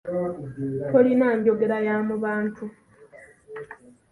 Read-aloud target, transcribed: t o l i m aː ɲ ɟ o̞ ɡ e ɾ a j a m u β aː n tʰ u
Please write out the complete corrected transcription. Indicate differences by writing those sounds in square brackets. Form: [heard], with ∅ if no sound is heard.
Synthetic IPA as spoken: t o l i [n] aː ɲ ɟ o̞ ɡ e ɾ a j a m u β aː n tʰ u